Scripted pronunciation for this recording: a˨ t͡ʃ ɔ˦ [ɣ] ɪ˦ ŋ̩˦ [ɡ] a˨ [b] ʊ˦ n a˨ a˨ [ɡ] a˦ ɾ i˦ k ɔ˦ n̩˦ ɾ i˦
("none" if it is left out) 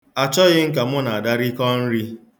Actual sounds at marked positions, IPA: ɣ, k, m, d

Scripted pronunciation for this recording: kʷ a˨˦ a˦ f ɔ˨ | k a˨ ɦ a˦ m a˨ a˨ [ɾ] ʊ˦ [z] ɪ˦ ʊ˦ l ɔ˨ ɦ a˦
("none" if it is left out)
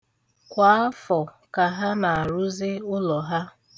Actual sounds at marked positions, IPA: ɾ, z

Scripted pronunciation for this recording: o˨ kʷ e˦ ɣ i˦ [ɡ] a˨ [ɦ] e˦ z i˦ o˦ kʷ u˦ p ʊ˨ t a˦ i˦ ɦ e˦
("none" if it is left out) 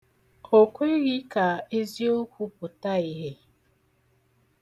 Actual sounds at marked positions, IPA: k, none

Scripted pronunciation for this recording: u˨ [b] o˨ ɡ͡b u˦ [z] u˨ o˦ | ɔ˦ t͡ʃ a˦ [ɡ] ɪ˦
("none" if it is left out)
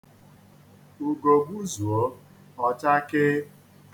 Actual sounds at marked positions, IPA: ɡ, z, k

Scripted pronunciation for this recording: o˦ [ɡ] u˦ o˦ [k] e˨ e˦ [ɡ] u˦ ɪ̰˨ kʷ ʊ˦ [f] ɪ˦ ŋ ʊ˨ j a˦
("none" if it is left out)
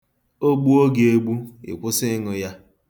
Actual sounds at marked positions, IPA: ɡ͡b, ɡ, ɡ͡b, s

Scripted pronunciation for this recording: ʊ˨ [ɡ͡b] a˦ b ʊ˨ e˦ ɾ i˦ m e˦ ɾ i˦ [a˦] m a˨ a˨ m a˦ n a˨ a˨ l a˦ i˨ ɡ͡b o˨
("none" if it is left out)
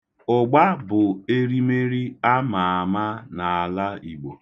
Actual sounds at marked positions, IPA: ɡ͡b, a˦

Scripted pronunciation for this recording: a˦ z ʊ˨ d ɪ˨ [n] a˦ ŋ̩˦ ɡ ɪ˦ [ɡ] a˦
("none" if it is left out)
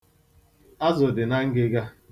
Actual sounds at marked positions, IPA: n, ɡ

